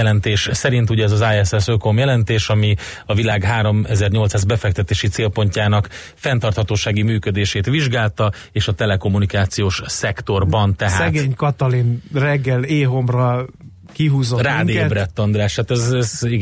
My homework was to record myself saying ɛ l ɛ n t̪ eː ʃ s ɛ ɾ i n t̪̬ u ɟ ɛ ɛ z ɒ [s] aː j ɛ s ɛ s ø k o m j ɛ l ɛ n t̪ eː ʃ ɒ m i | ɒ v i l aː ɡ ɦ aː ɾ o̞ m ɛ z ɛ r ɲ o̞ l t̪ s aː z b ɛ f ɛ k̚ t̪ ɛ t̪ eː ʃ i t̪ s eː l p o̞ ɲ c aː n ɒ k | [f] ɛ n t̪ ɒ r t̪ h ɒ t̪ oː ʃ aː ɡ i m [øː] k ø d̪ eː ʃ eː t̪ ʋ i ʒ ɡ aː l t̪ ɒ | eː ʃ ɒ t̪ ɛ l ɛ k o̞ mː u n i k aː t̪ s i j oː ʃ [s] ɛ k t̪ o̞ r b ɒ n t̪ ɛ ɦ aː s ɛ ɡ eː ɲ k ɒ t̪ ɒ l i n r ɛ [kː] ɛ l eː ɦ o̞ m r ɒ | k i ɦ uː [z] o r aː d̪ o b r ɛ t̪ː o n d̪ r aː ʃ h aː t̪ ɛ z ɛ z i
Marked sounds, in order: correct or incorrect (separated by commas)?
incorrect, correct, incorrect, correct, incorrect, correct